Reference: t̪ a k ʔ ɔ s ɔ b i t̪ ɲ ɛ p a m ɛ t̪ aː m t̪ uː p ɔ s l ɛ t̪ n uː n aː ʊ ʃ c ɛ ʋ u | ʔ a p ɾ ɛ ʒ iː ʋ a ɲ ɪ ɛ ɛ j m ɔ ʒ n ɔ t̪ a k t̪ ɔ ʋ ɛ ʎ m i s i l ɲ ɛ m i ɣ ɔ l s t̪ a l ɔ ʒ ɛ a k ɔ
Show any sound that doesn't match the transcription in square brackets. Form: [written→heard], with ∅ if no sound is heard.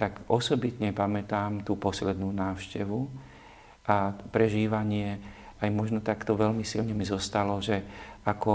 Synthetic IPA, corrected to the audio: t̪ a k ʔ ɔ s ɔ b i t̪ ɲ ɛ p a m ɛ t̪ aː m t̪ uː p ɔ s l ɛ [t̪→d̪] n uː n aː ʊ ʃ c ɛ ʋ u | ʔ a p ɾ ɛ ʒ iː ʋ a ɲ ɪ ɛ [ɛ→a] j m ɔ ʒ n ɔ t̪ a k t̪ ɔ ʋ ɛ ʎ m i s i l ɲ ɛ m i [ɣ→z] ɔ [l→∅] s t̪ a l ɔ ʒ ɛ a k ɔ